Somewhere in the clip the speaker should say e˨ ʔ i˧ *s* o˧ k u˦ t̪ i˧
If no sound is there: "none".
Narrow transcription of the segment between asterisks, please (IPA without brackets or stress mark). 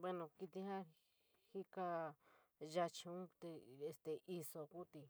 s